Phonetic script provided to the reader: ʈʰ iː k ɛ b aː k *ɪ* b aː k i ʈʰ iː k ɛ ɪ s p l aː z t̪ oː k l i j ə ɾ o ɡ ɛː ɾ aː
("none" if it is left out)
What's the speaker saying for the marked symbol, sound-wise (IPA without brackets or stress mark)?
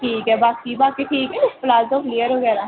i